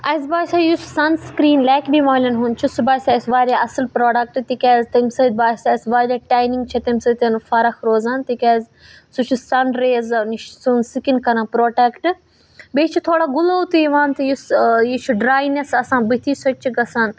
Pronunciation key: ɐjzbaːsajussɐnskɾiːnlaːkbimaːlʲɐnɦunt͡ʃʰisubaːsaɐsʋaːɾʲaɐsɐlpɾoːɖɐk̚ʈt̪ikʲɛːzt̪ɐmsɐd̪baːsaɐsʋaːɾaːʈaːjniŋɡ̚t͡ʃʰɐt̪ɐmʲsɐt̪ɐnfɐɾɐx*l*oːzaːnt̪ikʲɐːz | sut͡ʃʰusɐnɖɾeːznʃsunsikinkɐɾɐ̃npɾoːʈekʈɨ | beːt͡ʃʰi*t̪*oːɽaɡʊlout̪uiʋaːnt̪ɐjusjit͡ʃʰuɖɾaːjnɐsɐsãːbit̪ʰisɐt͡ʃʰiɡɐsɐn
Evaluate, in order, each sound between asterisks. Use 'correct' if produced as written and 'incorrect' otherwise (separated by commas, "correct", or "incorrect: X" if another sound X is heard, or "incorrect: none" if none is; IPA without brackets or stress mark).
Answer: incorrect: ɾ, incorrect: t̪ʰ